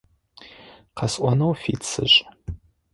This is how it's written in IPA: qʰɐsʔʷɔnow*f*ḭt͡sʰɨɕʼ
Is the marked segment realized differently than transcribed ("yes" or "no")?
no